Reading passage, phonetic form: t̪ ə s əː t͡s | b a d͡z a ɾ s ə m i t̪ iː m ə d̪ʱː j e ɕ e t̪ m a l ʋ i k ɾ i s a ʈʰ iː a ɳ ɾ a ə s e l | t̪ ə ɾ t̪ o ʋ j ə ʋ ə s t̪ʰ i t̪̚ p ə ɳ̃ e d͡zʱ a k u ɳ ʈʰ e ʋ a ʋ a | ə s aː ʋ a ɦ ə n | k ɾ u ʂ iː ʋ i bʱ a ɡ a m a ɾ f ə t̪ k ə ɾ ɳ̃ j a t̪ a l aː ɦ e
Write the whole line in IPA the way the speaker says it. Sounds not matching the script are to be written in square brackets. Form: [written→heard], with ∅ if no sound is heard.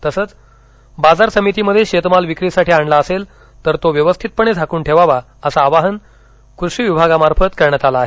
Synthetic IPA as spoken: t̪ ə s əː t͡s | b a d͡z a ɾ s ə m i t̪ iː m ə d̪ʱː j e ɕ e t̪ m a l ʋ i k ɾ i s a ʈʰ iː a ɳ [ɾ→l] a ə s e l | t̪ ə ɾ t̪ o ʋ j ə ʋ ə s t̪ʰ i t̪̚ p ə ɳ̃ e d͡zʱ a k [u→uː] ɳ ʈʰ e ʋ a ʋ a | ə s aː ʋ a ɦ ə n | k ɾ u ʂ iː ʋ i bʱ a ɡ a m a ɾ f ə t̪ k ə ɾ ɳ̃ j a t̪ a l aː ɦ e